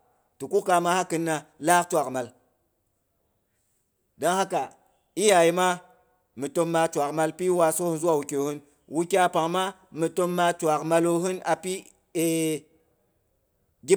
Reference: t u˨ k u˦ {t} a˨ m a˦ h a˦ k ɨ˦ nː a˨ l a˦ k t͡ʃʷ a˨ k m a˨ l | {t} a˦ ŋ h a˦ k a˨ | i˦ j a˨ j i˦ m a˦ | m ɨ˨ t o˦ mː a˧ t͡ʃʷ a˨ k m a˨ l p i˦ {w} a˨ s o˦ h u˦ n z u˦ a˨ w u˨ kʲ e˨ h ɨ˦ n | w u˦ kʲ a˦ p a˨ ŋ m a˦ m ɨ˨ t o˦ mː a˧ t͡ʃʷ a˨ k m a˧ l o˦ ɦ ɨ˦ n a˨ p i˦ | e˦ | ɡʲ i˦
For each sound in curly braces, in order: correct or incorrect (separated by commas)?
incorrect, incorrect, correct